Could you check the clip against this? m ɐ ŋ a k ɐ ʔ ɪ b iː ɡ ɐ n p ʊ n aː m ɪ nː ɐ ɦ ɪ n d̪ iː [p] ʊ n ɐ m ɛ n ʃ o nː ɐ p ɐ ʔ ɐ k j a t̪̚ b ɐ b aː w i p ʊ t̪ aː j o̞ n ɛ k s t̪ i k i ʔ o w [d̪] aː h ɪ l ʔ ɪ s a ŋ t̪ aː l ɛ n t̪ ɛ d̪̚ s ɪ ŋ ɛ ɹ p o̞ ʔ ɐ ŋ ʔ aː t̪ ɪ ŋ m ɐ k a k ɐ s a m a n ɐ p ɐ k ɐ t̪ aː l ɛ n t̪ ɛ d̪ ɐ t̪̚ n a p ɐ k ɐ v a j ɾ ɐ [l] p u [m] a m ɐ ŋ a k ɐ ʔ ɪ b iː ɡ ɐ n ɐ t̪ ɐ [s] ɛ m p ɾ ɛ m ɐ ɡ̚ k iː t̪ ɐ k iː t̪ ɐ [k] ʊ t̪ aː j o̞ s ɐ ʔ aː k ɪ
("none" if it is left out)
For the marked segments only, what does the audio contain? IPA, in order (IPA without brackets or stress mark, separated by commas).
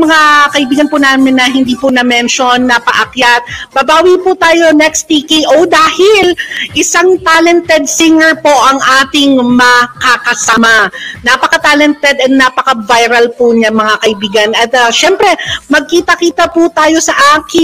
p, d̪, l, ɲ, ʃ, p